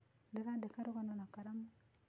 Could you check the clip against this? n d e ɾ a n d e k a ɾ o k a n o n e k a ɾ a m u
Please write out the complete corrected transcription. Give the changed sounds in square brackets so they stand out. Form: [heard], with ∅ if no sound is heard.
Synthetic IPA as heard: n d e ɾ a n d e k a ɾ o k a n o n [a] k a ɾ a m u